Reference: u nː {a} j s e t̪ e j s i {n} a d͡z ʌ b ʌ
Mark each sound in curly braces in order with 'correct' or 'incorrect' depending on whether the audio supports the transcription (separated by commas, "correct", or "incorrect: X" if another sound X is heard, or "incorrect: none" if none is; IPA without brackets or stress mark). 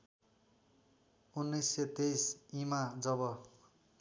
incorrect: ʌ, incorrect: m